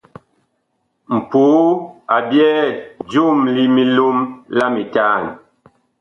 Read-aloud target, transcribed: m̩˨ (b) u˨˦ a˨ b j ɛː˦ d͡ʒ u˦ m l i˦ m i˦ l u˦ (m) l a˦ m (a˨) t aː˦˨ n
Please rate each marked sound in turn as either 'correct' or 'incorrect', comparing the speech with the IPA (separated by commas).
incorrect, correct, incorrect